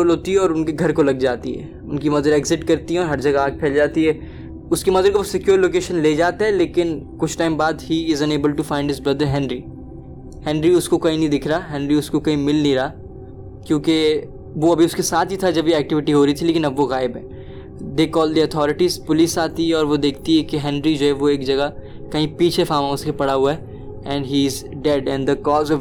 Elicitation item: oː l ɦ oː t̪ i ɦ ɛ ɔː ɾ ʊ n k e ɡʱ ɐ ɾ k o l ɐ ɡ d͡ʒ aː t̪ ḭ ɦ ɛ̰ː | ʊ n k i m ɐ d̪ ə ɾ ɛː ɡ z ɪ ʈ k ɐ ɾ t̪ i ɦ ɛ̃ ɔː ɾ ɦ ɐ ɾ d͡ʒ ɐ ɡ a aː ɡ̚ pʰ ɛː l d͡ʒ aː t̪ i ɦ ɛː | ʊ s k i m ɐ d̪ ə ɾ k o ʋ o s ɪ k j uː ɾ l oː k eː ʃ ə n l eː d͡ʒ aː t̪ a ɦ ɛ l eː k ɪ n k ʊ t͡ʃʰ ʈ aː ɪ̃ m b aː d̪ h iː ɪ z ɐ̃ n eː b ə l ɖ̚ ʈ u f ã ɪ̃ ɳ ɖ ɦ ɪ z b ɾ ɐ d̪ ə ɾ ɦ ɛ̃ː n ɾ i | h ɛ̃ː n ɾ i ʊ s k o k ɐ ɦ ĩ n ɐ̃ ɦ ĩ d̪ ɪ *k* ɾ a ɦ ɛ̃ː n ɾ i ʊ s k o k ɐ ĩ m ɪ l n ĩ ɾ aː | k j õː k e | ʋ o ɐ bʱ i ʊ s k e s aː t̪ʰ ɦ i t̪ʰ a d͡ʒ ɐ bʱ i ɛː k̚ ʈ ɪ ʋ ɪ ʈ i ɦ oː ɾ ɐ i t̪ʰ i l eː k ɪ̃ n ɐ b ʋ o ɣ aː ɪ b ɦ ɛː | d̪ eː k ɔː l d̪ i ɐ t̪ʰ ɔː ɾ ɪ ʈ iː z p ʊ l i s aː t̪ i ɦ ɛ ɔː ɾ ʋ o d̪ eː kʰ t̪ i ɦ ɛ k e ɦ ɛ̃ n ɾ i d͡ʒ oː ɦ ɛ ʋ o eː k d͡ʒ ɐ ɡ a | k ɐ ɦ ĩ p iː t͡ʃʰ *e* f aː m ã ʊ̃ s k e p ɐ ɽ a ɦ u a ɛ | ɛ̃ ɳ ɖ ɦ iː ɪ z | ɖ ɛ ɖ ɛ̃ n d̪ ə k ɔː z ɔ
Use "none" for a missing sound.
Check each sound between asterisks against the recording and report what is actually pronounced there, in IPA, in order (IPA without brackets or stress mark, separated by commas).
kʰ, e